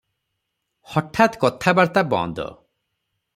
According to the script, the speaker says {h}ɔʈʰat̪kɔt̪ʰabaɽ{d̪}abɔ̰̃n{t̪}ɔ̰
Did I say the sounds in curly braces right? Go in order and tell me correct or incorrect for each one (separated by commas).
correct, incorrect, incorrect